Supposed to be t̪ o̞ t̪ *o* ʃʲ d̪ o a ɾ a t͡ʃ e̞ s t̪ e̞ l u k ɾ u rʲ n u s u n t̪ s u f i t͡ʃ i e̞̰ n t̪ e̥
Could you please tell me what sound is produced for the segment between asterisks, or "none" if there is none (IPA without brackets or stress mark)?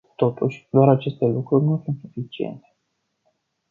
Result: u